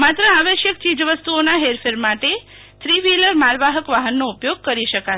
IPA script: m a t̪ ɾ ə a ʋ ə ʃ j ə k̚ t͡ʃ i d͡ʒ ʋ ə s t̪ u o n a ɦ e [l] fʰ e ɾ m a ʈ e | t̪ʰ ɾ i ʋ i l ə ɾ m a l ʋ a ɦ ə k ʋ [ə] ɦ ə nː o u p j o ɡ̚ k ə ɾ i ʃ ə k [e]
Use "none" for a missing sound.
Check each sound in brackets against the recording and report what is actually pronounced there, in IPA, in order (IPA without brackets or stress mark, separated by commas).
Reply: ɾ, a, a